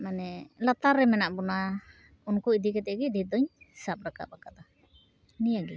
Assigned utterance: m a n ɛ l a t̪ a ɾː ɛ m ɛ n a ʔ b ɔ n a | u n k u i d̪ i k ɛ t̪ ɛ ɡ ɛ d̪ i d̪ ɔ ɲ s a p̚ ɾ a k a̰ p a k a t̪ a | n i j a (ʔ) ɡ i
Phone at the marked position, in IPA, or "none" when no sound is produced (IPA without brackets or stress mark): none